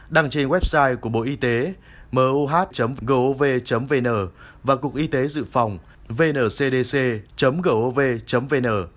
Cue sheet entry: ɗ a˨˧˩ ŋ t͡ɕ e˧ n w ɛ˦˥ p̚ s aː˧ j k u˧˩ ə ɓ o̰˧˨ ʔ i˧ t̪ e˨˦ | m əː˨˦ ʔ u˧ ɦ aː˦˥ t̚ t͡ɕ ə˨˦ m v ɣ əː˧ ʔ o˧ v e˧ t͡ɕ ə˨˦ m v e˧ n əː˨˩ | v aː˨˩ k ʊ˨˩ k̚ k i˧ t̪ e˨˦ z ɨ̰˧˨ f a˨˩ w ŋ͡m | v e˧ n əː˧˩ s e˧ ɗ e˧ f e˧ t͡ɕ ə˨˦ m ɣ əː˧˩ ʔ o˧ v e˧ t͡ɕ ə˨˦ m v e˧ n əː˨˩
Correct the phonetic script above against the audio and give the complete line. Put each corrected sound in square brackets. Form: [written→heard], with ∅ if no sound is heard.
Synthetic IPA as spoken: ɗ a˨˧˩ ŋ t͡ɕ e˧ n w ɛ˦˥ p̚ s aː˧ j k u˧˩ ə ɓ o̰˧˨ ʔ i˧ t̪ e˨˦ | m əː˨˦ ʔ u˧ ɦ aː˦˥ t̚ t͡ɕ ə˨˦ m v ɣ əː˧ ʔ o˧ v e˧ t͡ɕ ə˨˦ m v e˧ n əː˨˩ | v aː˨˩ k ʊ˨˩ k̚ [k→ʔ] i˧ t̪ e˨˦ z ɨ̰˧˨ f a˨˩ w ŋ͡m | v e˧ n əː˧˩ s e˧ ɗ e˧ [f→s] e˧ t͡ɕ ə˨˦ m ɣ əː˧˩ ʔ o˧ v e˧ t͡ɕ ə˨˦ m v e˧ n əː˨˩